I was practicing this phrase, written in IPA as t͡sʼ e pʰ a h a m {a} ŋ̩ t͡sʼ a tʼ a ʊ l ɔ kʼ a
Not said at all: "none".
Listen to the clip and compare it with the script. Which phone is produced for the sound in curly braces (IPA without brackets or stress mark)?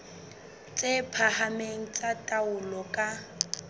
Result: e